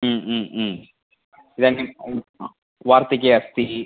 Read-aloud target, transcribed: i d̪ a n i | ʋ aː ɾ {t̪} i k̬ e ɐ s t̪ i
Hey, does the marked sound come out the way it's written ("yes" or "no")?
yes